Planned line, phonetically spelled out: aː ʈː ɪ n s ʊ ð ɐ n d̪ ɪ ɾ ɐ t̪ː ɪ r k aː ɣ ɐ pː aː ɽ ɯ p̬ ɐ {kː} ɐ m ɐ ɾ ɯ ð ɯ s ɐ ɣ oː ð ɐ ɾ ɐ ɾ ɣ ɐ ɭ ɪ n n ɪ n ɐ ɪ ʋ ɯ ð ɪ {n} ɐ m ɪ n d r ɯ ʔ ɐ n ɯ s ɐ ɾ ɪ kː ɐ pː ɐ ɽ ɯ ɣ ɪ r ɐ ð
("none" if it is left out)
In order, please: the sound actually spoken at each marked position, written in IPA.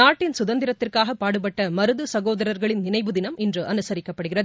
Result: ʈː, n

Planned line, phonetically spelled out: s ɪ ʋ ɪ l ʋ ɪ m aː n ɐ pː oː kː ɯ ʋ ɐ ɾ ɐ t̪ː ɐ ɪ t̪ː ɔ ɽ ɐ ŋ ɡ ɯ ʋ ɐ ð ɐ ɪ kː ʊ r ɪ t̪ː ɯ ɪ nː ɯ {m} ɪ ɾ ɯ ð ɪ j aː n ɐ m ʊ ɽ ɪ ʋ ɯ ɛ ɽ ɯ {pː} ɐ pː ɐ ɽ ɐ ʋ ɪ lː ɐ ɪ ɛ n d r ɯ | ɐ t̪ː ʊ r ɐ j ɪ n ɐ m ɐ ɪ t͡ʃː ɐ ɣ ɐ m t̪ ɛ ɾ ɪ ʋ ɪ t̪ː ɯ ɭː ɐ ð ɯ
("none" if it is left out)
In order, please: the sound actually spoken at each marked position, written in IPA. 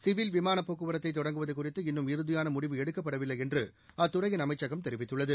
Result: m, kː

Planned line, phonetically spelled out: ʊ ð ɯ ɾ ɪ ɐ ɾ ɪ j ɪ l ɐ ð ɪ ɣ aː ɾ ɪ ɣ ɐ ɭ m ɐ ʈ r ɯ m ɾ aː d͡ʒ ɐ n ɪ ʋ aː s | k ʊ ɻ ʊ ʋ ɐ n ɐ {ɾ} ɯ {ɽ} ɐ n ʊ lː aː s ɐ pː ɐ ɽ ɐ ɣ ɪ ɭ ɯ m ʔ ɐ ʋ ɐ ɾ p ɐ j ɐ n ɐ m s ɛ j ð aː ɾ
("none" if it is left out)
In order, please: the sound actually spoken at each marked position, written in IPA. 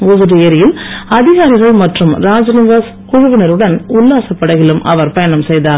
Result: ɾ, ɽ

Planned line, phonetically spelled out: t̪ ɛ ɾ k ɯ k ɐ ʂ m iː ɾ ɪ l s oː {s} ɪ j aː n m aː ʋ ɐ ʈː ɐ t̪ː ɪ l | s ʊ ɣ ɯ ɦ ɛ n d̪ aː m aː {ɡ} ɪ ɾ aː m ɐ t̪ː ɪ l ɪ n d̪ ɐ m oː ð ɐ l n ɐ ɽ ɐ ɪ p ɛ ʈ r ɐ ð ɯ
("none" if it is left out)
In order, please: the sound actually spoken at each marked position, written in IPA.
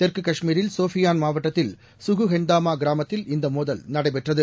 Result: f, ɡ

